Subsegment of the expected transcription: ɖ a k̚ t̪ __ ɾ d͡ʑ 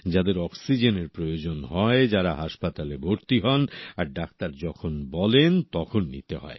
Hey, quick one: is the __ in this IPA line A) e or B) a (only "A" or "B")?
B